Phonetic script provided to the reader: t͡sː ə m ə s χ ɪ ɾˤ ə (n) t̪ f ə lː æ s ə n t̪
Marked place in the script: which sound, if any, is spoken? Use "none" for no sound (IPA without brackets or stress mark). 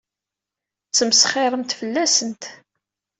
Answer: m